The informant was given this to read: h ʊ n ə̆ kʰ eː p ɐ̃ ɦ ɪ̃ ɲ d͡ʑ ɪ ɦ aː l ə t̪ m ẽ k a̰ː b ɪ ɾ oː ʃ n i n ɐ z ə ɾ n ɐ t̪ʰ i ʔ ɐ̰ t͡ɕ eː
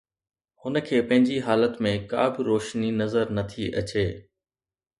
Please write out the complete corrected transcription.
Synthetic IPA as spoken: h ʊ n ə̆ kʰ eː p ɐ̃ ɦ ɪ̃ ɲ d͡ʑ i ɦ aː l ə t̪ m ẽ k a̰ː b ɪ ɾ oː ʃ n i n ɐ z ə ɾ n ɐ t̪ʰ i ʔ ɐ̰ t͡ɕ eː